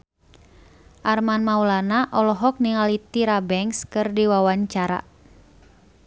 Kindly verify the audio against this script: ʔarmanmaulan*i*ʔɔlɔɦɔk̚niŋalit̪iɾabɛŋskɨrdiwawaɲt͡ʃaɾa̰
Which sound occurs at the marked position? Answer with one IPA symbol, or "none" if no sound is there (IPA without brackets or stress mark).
a